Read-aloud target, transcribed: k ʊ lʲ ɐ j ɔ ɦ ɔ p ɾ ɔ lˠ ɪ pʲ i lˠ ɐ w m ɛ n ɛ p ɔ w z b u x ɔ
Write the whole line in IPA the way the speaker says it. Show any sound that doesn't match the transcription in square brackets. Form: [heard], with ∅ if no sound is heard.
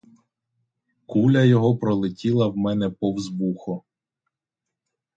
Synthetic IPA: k [u] lʲ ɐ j ɔ ɦ ɔ p ɾ ɔ lˠ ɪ [tʲ] i lˠ ɐ w m ɛ n ɛ p ɔ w z b u x ɔ